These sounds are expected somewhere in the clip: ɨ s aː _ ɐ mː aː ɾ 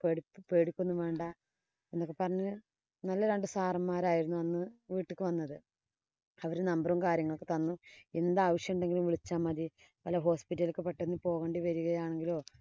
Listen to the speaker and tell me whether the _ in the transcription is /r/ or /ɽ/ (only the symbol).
r